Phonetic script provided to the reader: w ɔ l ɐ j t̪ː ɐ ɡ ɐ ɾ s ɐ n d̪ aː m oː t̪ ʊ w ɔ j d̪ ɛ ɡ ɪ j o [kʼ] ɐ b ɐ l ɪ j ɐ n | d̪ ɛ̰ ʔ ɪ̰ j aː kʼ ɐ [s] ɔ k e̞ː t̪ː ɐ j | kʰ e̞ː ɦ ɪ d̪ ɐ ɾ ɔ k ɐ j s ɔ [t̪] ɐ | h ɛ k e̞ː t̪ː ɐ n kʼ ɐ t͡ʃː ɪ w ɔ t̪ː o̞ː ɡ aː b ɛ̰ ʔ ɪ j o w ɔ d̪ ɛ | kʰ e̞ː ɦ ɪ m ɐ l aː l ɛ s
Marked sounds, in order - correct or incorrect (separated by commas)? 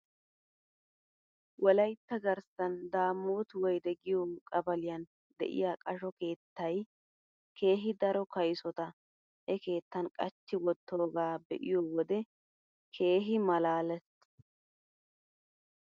correct, incorrect, correct